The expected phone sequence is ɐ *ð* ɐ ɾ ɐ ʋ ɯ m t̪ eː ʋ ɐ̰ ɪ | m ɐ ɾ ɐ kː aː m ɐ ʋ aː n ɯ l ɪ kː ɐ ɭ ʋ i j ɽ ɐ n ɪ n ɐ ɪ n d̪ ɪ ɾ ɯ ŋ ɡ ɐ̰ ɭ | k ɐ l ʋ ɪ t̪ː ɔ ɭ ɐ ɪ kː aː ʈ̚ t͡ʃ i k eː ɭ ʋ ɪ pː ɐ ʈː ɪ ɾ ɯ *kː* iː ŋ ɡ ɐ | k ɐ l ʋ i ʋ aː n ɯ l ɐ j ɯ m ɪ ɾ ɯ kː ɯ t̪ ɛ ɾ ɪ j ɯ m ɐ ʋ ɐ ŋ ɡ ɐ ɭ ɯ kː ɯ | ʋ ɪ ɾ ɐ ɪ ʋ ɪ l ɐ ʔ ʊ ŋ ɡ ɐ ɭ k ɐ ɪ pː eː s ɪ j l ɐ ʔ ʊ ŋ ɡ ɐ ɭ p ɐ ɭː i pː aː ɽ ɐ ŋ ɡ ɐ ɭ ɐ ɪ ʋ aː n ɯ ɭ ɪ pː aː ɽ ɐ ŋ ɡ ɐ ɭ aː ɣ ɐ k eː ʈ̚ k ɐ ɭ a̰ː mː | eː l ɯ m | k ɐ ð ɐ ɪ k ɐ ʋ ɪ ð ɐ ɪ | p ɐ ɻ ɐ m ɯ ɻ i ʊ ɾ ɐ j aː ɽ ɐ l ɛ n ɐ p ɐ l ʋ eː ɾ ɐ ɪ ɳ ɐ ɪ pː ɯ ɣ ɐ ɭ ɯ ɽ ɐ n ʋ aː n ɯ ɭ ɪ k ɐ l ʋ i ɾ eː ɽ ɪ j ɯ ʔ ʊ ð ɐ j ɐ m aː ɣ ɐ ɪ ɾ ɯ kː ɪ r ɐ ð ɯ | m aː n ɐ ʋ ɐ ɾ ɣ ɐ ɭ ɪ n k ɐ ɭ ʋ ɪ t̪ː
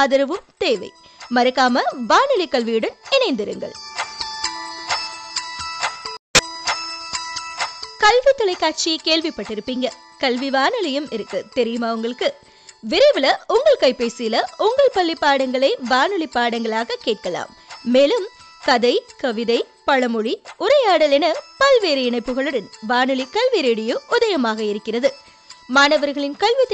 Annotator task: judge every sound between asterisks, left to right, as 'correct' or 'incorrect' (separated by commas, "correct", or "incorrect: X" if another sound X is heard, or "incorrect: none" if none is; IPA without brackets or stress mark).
correct, incorrect: pː